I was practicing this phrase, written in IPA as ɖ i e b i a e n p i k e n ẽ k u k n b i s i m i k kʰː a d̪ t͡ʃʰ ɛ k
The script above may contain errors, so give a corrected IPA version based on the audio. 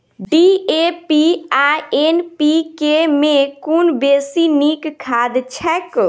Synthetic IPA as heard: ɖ i e p i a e n p i k e m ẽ k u n b e s i n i k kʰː a d̪ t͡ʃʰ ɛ k